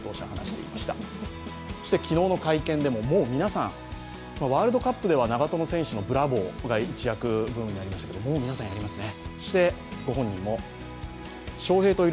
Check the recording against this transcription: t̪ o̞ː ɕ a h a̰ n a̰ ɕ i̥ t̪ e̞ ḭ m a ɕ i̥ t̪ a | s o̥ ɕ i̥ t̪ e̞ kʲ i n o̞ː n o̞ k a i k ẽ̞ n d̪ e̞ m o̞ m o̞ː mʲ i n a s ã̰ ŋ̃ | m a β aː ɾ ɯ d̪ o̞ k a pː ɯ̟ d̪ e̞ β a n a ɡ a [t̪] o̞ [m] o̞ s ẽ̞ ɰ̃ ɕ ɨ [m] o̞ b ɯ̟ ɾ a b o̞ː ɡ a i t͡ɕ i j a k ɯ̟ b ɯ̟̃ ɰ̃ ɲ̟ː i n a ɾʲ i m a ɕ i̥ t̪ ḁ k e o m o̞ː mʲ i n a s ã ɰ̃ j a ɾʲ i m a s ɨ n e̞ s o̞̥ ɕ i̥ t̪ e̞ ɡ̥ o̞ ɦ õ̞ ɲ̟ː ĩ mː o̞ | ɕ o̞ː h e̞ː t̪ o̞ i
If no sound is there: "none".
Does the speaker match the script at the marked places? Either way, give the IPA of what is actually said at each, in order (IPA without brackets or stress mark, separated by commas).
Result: t̪, n, n